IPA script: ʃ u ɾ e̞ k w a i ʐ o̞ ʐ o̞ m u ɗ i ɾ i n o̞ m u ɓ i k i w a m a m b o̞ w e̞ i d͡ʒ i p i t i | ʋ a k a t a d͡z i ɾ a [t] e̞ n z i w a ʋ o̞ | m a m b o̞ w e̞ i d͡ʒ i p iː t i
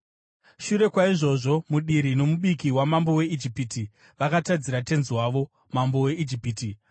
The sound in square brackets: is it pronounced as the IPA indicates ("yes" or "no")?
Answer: yes